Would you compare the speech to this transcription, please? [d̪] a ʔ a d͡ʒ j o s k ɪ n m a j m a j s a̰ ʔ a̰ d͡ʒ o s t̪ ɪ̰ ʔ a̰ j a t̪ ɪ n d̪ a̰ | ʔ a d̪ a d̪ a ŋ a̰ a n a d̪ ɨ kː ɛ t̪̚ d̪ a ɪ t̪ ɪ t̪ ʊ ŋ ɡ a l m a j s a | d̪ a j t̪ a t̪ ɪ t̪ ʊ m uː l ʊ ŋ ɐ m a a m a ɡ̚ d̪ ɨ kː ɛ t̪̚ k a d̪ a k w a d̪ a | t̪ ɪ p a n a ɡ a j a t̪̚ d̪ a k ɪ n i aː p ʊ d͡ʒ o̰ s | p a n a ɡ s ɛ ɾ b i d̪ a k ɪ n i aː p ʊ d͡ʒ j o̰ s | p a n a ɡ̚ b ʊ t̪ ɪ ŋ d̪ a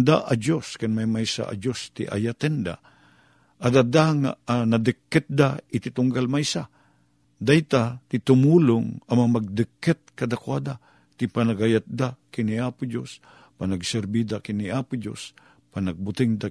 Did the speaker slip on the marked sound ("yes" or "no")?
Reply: no